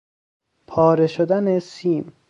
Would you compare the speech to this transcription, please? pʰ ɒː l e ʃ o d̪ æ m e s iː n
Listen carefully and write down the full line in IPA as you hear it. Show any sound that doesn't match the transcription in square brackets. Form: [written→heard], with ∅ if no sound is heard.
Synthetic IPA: pʰ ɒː [l→ɾ] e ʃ o d̪ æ [m→n] e s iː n